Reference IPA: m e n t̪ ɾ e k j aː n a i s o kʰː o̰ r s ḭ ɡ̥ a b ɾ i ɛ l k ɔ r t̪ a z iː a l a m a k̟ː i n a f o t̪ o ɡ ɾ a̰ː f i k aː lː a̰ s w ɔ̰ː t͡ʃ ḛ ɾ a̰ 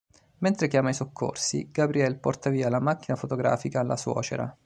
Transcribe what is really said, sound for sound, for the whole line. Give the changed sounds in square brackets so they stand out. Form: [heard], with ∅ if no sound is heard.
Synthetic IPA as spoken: m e n t̪ ɾ e k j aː [m] a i s o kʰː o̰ r s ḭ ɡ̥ a b ɾ i ɛ l [p] ɔ r t̪ a [v] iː a l a m a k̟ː i n a f o t̪ o ɡ ɾ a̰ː f i k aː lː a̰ s w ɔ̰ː t͡ʃ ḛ ɾ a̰